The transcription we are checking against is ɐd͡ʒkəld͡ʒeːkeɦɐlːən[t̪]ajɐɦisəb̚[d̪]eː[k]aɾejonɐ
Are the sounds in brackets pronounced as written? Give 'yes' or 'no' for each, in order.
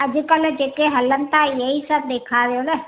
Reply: yes, yes, no

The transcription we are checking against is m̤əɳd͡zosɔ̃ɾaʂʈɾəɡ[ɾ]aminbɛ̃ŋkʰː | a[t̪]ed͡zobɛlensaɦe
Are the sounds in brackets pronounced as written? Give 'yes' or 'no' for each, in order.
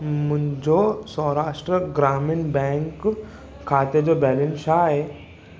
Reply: yes, yes

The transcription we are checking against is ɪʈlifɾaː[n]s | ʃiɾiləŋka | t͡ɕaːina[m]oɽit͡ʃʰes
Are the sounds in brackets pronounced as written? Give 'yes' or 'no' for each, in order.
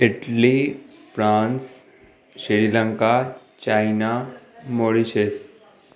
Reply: yes, yes

